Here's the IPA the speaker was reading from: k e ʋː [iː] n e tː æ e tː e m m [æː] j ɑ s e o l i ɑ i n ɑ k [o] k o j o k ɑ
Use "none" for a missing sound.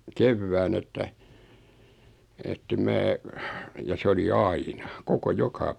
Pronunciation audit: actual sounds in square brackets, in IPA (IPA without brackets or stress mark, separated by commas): æː, æː, o